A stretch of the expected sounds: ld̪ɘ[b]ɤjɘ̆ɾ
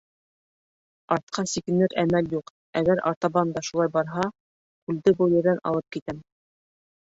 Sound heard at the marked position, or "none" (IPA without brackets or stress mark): b